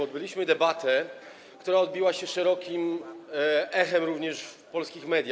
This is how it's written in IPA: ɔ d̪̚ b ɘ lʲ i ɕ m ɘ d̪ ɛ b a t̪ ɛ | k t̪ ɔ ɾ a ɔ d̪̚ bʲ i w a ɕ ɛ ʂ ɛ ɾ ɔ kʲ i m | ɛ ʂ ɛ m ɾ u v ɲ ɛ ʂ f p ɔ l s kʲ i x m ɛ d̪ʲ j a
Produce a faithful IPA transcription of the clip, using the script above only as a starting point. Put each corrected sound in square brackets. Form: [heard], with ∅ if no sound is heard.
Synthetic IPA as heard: ɔ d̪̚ b ɘ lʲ i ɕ m ɘ d̪ ɛ b a t̪ ɛ | k t̪ [u] ɾ a ɔ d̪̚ bʲ i w a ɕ ɛ ʂ ɛ ɾ ɔ kʲ i m | ɛ [x] ɛ m ɾ u v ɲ ɛ ʂ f p ɔ l s kʲ i x m ɛ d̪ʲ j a